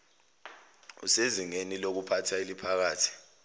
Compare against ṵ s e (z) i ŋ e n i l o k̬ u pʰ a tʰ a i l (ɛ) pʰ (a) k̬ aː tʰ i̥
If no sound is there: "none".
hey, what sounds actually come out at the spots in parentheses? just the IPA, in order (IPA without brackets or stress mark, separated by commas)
z, i, a